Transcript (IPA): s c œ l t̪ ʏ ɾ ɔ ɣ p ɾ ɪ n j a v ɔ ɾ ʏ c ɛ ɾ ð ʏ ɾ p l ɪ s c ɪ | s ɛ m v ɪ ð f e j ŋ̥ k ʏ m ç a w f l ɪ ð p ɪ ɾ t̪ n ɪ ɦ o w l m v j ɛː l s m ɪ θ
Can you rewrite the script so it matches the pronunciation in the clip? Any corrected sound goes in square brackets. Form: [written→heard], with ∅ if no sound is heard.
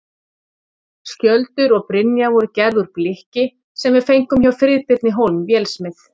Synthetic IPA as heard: s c œ l t̪ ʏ ɾ ɔ ɣ p ɾ ɪ n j a v ɔ ɾ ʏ c ɛ ɾ ð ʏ ɾ p l ɪ [s→h] c ɪ | s ɛ m v ɪ ð f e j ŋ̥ k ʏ m ç a w f [l→ɾ] ɪ ð p ɪ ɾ t̪ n ɪ ɦ o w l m v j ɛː l s m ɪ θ